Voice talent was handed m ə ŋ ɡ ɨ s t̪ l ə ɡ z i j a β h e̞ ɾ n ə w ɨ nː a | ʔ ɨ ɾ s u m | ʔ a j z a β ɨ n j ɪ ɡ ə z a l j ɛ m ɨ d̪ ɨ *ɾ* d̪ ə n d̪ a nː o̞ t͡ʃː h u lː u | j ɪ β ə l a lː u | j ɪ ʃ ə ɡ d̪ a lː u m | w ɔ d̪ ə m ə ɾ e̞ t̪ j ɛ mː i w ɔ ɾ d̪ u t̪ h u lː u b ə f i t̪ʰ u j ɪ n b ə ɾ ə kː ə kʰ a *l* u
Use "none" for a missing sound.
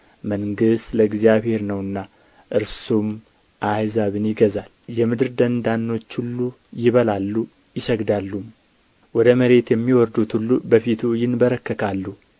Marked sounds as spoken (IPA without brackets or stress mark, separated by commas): ɾ, lː